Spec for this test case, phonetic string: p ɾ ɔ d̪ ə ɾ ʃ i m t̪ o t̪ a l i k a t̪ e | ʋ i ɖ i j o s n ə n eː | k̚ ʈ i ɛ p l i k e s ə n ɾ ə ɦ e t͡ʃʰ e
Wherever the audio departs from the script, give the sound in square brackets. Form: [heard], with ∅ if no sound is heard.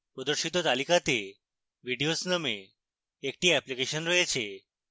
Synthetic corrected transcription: p ɾ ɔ d̪ ə ɾ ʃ i [∅] t̪ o t̪ a l i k a t̪ e | ʋ i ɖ i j o s n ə [m] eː | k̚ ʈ i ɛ p l i k e [ʃ] ə n ɾ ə ɦ e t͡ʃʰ e